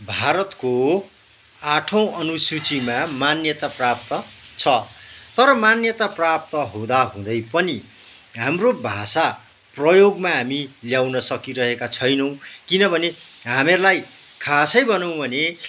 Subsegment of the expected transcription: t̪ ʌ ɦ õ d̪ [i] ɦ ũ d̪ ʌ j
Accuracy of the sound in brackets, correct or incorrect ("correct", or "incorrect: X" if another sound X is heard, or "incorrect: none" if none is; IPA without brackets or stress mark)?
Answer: incorrect: a